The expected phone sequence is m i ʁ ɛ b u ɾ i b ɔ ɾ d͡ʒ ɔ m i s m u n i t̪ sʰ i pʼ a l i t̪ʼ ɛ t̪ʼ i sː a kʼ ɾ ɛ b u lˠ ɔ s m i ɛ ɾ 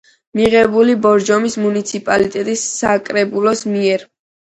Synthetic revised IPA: m i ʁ ɛ b u l i b ɔ ɾ d͡ʒ ɔ m i s m u n i t̪ sʰ i pʼ a l i t̪ʼ ɛ t̪ʼ i sː a kʼ ɾ ɛ b u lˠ ɔ s m i ɛ ɾ

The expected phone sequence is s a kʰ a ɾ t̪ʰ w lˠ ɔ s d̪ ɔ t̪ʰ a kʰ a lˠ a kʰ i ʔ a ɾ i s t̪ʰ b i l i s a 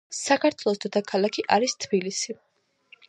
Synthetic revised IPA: s a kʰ a ɾ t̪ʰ w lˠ ɔ s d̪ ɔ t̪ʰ a kʰ a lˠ a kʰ i ʔ a ɾ i s t̪ʰ b i l i s i

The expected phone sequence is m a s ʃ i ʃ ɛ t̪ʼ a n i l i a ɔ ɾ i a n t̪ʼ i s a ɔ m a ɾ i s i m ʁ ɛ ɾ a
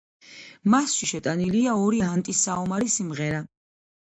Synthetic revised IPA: m a s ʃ i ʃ ɛ t̪ʼ a n i l i a ɔ ɾ i a n t̪ʼ i s a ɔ m a ɾ i s i m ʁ ɛ ɾ a

